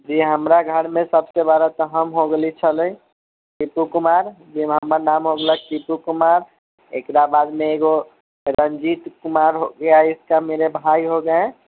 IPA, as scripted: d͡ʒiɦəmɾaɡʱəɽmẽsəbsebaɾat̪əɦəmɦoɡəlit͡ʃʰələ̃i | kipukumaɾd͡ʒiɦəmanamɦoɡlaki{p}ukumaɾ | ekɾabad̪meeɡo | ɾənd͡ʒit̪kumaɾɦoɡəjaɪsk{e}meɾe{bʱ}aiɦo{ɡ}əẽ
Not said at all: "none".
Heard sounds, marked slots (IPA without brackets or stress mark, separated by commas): p, a, bʱ, ɡ